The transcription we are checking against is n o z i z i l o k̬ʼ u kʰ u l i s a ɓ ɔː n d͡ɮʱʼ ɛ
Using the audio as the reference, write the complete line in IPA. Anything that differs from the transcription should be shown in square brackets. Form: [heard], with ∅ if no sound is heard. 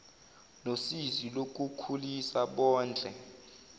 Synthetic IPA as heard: n o [s] i z i l o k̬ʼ u kʰ u l i s a ɓ ɔː n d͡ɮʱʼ ɛ

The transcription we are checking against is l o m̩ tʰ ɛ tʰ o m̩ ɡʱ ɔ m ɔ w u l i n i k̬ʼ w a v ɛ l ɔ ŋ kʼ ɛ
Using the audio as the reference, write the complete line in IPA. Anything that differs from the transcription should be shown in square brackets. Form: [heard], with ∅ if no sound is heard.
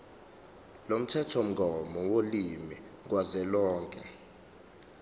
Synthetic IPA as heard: l o m̩ tʰ ɛ tʰ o m̩ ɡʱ ɔ m ɔ w [o] l i [m] i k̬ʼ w a [z] ɛ l [ɔː] ŋ kʼ ɛ

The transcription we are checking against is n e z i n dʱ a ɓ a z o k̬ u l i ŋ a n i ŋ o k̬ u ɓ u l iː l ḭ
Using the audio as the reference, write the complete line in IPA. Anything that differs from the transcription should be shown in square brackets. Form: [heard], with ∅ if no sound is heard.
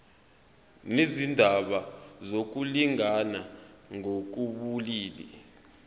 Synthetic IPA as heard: n e z i n dʱ a ɓ a z o k̬ u l i ŋ a n [a] ŋ o k̬ u ɓ u l iː l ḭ

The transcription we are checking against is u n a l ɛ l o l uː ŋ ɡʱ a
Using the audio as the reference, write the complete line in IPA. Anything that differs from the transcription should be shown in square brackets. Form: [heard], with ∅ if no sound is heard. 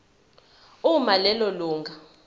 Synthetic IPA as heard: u [m] a l ɛ l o l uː ŋ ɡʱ a

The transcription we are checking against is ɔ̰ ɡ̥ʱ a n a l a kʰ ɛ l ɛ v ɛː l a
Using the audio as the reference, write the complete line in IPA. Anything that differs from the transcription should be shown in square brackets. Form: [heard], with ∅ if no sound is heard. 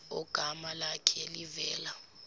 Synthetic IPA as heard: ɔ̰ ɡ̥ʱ a [m] a l a kʰ ɛ l [i] v ɛː l a

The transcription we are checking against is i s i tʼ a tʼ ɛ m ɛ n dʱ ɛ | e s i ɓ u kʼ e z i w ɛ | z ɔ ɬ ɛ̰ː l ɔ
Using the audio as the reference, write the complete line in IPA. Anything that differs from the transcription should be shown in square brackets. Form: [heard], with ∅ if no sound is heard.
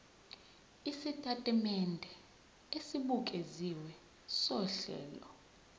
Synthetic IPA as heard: i s i tʼ a tʼ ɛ m ɛ n dʱ ɛ | e s i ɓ u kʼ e z i w ɛ | [s] ɔ ɬ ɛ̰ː l ɔ

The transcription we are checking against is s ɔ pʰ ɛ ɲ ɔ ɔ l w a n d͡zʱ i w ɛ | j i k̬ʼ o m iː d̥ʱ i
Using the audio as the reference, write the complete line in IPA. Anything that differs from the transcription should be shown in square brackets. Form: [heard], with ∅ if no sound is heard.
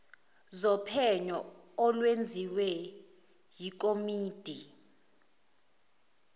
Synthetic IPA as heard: [z] ɔ pʰ ɛ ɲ ɔ ɔ l w [e] n d͡zʱ i w ɛ | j i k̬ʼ o m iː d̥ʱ i

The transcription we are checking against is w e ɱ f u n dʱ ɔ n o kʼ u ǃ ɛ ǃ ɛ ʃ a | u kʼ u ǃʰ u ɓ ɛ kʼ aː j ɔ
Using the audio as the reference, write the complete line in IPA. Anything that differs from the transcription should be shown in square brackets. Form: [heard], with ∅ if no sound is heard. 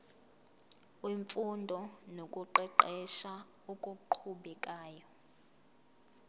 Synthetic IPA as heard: w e ɱ f u n dʱ ɔ n o kʼ u ǃ ɛ ǃ ɛ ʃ a | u kʼ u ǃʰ u ɓ ɛ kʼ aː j ɔ

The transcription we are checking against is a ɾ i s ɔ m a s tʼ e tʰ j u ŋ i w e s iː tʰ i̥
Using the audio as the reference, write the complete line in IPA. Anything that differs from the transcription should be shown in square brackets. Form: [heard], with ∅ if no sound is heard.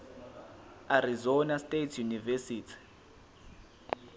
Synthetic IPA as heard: a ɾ i [z] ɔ [n] a s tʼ e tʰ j u [n] i [v] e s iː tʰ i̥

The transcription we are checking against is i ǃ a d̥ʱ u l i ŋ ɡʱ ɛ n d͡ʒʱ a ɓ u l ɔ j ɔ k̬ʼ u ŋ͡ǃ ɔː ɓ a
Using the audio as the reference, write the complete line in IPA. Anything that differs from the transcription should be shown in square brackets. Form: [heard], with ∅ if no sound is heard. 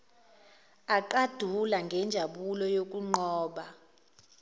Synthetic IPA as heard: [a] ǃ a d̥ʱ u l [a] ŋ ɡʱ ɛ n d͡ʒʱ a ɓ u l ɔ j [o] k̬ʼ u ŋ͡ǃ ɔː ɓ a

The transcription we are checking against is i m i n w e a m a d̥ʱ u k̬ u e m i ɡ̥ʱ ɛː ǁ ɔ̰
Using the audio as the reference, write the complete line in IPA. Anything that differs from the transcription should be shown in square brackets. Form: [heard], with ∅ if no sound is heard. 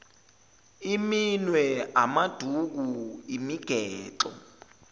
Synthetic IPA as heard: i m i n w [ɛ] a m a d̥ʱ u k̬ u [i] m i ɡ̥ʱ ɛː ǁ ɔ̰

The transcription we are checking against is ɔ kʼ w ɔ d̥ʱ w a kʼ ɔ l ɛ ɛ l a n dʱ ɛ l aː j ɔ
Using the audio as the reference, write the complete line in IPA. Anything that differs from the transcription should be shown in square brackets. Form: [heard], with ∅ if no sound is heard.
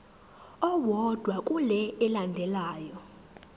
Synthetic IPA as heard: ɔ [∅] w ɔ d̥ʱ w a kʼ [u] l ɛ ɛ l a n dʱ ɛ l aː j ɔ

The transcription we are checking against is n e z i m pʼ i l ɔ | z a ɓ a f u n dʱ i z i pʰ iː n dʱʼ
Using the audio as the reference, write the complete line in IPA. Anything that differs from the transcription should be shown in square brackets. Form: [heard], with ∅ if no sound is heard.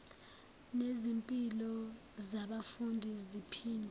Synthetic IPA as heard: n e z i m pʼ i l ɔ | z a ɓ a f u n dʱ i z i pʰ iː n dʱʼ

